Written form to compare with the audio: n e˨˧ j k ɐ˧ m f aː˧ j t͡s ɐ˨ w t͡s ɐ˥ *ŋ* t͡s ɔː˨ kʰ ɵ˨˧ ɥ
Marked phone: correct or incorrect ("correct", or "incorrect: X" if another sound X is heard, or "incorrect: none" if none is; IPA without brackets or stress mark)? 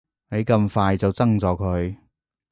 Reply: correct